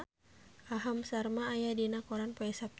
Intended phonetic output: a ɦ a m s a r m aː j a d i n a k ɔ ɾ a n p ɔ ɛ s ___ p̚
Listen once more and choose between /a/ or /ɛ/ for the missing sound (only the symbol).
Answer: a